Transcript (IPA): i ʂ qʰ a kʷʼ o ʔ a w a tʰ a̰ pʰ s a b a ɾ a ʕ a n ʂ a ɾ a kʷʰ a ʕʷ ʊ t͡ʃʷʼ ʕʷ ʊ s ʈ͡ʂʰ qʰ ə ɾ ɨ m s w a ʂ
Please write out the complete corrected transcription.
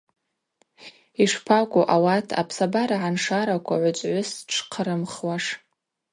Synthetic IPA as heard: i ʂ pʰ a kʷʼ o ʔ a w a tʰ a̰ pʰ s a b a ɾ a ʕ a n ʂ a ɾ a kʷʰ a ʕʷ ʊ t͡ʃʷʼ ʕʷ ʊ s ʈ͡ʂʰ qʰ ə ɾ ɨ m χ w a ʂ